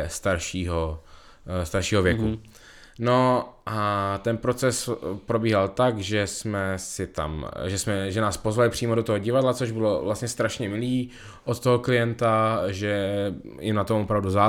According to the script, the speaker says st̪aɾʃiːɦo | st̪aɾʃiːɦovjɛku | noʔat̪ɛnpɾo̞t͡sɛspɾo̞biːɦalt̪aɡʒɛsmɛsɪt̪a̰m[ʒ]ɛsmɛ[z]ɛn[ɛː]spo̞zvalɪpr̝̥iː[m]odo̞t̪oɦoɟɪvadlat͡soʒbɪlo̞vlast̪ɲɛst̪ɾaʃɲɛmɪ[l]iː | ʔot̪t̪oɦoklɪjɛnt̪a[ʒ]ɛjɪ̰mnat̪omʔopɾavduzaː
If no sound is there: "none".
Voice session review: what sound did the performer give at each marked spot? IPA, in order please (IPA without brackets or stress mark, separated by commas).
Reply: ʒ, ʒ, aː, m, l, ʒ